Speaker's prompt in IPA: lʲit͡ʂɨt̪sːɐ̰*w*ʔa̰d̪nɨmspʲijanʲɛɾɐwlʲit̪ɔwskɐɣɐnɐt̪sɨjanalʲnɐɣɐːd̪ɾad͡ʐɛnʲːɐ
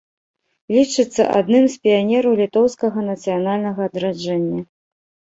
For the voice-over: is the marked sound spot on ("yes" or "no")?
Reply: no